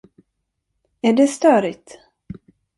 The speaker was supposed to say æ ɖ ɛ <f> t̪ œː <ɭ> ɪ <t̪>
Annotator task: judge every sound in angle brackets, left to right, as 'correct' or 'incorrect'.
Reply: incorrect, incorrect, correct

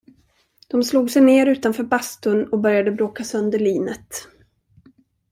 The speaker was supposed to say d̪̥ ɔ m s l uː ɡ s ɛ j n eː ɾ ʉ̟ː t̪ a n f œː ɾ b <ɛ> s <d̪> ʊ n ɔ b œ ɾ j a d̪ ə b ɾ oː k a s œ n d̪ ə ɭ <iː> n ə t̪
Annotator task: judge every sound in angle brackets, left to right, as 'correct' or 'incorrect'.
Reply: incorrect, incorrect, correct

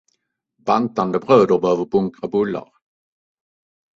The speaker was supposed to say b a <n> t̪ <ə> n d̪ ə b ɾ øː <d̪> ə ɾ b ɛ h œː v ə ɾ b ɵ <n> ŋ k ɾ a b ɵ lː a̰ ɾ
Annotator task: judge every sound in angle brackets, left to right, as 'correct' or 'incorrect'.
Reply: correct, incorrect, correct, incorrect

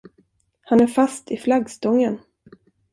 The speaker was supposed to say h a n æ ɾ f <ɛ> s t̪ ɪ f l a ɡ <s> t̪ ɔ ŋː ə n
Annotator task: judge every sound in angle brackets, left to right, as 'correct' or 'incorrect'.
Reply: incorrect, correct

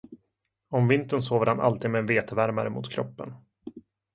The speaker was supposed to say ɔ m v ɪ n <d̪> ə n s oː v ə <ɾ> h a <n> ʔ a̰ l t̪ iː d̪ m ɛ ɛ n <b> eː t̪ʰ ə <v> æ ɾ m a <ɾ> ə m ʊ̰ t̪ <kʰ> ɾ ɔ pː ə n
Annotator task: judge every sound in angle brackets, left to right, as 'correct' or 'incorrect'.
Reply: incorrect, correct, correct, incorrect, correct, correct, correct

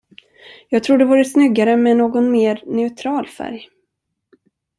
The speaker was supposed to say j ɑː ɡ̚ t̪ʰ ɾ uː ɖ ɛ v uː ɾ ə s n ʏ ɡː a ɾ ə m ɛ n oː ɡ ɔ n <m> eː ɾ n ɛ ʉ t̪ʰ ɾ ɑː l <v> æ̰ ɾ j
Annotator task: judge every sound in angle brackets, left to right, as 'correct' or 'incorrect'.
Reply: correct, incorrect

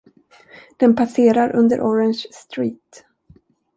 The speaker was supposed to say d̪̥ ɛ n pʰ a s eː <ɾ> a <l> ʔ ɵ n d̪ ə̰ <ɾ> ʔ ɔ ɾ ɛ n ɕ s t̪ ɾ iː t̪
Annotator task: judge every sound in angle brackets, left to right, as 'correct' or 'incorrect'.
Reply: correct, incorrect, correct

